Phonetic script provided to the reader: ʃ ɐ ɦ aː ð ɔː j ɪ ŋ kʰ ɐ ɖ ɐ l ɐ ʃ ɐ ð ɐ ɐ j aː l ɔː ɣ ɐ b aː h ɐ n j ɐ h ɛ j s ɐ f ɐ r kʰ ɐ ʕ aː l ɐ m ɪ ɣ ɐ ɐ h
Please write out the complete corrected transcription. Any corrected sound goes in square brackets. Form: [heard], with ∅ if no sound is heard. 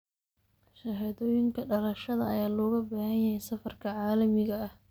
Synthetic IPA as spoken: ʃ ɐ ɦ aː ð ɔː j ɪ ŋ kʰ ɐ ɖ ɐ l ɐ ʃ ɐ ð ɐ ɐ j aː l ɔː ɣ ɐ b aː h ɐ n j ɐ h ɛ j s ɐ f ɐ r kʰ ɐ ʕ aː l ɐ m ɪ ɣ ɐ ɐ h